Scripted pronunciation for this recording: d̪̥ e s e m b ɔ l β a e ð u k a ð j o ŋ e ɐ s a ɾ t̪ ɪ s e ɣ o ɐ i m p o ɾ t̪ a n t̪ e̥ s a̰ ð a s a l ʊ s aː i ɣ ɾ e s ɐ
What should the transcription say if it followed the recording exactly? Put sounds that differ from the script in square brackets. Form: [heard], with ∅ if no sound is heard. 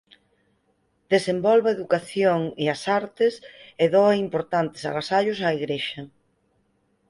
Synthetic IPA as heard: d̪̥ e s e m b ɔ l β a e ð u k a [θ] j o ŋ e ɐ s a ɾ t̪ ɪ s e [ð] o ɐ i m p o ɾ t̪ a n t̪ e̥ s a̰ [ɣ] a s a [ʎ] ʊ s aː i ɣ ɾ e [ʃ] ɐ